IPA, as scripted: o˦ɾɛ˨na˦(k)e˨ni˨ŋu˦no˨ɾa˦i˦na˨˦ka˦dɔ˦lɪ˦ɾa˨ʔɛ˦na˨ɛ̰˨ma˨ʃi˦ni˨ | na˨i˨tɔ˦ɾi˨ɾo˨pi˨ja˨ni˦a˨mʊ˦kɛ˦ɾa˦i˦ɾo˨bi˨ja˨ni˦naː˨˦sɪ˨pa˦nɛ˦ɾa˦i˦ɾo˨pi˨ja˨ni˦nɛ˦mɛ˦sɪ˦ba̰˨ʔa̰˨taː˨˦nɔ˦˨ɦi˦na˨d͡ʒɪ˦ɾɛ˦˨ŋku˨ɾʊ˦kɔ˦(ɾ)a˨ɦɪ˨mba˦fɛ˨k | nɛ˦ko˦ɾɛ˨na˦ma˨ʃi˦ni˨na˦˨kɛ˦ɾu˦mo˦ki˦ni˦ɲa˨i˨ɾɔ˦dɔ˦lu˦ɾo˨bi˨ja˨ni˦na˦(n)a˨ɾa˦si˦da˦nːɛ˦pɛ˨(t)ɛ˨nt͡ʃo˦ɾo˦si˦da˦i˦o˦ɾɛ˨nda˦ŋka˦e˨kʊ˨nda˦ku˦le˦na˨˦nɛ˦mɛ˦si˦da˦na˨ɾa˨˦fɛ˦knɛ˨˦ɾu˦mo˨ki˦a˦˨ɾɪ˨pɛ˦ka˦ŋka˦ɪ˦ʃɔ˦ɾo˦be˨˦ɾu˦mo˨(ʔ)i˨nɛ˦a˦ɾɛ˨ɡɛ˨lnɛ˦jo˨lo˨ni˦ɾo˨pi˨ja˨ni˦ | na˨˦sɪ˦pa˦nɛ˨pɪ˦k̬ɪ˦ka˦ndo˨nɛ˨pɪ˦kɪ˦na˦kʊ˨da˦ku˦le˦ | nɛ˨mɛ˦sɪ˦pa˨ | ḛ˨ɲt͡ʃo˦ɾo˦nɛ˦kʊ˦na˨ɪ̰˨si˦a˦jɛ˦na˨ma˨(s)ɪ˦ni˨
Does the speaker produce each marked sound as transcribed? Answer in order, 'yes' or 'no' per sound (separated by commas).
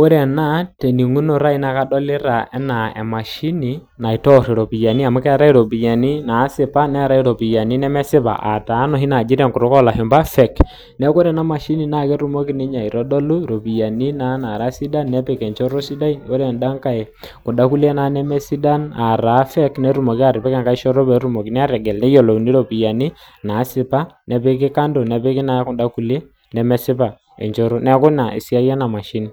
no, no, yes, no, no, no